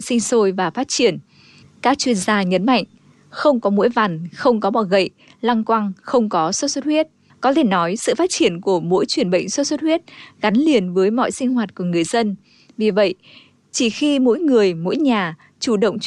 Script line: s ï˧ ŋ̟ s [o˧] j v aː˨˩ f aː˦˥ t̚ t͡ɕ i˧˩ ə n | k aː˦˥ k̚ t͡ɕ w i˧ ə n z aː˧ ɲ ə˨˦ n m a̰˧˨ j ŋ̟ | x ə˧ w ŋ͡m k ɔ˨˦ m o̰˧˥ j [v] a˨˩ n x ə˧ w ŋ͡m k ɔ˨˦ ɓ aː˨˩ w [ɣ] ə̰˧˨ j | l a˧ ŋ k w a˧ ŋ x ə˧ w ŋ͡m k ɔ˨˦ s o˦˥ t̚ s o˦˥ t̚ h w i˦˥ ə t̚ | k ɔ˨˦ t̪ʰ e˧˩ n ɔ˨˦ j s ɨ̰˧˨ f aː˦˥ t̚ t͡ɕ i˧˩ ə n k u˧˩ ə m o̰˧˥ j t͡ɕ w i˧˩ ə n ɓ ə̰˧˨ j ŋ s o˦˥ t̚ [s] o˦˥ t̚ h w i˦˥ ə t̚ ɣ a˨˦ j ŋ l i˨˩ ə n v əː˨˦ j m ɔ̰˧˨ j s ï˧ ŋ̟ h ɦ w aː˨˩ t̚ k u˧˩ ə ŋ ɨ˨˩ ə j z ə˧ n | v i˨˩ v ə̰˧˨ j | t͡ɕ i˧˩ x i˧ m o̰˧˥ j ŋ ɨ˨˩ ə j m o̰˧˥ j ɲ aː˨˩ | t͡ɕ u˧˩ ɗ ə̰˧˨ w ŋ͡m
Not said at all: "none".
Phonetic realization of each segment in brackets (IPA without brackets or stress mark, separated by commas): o˧, v, ɣ, s